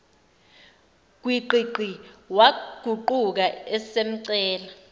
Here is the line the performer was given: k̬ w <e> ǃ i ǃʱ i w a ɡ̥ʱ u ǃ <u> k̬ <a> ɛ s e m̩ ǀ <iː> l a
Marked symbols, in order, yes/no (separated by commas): no, yes, yes, no